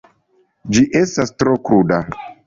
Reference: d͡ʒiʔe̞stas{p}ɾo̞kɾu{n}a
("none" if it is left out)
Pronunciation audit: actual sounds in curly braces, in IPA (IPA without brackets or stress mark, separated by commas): t, d